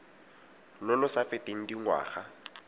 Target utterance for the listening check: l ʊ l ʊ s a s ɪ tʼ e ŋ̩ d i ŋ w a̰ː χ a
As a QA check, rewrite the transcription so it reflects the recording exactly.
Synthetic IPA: l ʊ l ʊ s a f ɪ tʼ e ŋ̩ d i ŋ w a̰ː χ a